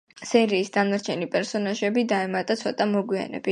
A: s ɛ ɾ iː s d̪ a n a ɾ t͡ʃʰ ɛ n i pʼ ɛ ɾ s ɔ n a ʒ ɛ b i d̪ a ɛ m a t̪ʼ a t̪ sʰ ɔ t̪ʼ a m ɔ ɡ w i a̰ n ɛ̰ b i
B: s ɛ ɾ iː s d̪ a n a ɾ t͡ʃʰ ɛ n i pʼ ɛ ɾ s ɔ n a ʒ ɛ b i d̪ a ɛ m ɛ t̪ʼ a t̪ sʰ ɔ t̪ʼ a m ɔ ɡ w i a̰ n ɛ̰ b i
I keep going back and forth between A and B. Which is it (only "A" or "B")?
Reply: A